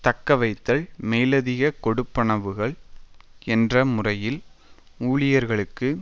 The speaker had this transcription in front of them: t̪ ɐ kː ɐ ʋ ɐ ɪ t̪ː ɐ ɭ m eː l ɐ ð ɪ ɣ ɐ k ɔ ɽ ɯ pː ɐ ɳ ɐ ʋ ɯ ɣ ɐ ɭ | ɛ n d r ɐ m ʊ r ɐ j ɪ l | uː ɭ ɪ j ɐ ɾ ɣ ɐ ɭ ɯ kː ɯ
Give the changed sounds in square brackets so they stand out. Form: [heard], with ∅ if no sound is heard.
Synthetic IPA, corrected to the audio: t̪ ɐ kː ɐ ʋ ɐ ɪ t̪ː ɐ ɭ m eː l ɐ ð ɪ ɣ ɐ k ɔ ɽ ɯ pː ɐ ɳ ɐ ʋ ɯ ɣ ɐ ɭ | ɛ n d r ɐ m ʊ r ɐ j ɪ l | uː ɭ ɪ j ɐ ɾ ɣ ɐ ɭ ɯ kː ɯ